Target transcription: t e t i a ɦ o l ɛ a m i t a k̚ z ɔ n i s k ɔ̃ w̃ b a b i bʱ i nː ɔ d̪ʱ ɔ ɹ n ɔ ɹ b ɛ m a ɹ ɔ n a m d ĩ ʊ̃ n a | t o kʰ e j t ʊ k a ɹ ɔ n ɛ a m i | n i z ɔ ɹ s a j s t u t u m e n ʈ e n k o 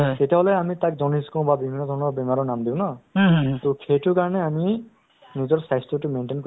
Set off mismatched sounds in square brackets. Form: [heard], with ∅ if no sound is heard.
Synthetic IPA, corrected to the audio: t e t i a ɦ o l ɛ a m i t a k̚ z ɔ n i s k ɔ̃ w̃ b a b i bʱ i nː ɔ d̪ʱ ɔ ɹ n ɔ ɹ b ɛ m a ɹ ɔ n a m d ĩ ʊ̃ n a | t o kʰ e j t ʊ k a ɹ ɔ n ɛ a m i | n i z ɔ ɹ s a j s t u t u m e n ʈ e n k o